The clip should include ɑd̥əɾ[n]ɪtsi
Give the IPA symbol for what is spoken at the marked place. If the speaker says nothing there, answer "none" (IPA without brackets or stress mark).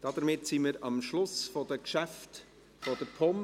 m